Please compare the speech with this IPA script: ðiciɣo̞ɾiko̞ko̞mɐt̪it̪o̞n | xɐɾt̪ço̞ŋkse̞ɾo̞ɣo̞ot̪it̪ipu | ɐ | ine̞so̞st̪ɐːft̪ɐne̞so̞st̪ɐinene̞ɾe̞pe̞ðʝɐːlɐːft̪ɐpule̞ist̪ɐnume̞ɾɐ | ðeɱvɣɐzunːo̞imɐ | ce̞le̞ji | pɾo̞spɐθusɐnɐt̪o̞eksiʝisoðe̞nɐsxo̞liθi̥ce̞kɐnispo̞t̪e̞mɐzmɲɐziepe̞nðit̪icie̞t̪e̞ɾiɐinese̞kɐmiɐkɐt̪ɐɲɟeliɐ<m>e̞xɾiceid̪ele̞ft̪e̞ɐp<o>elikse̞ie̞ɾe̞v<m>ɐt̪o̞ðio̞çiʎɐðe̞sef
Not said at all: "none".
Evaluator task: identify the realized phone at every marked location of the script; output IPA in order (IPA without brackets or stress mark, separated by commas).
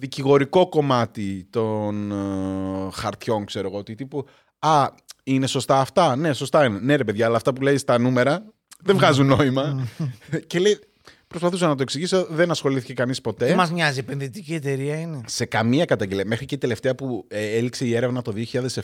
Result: m, u, n